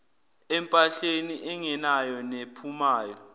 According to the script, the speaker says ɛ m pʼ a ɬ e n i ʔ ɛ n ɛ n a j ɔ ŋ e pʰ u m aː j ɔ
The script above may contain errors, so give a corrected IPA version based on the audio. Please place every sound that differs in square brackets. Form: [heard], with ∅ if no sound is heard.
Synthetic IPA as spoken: ɛ m pʼ a ɬ e n i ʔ ɛ [ŋ] ɛ n a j ɔ [n] e pʰ u m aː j ɔ